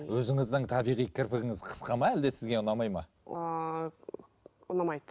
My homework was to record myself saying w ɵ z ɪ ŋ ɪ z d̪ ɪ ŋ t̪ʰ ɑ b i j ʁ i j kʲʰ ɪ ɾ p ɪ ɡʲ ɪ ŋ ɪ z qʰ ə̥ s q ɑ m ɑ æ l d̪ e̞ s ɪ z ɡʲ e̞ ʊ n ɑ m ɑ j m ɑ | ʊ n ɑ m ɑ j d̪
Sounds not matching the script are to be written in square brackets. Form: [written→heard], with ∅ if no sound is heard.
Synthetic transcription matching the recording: w ɵ z ɪ ŋ ɪ z d̪ ɪ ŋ t̪ʰ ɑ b i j ʁ i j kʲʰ ɪ ɾ p ɪ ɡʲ ɪ ŋ ɪ z qʰ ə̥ s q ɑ m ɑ æ l d̪ e̞ s ɪ z ɡʲ e̞ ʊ n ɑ m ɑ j m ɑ | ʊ n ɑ m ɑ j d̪